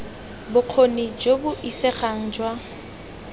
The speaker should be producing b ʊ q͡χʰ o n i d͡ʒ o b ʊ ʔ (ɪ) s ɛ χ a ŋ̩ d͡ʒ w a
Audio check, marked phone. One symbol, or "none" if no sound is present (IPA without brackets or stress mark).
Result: i